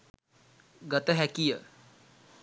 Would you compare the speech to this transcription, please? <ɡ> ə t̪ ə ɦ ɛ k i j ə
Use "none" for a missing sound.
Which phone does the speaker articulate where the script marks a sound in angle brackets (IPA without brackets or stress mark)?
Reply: ɡ